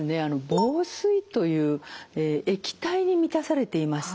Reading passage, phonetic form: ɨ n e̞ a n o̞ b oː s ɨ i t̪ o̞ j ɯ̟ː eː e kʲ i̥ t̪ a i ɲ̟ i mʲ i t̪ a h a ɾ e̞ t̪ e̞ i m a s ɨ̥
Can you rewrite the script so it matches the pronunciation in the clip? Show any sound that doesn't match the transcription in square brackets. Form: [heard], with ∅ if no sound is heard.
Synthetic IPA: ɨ n e̞ a n o̞ b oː s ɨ i t̪ o̞ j ɯ̟ː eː e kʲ i̥ t̪ a i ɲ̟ i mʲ i t̪ a [s] a ɾ e̞ t̪ e̞ i m a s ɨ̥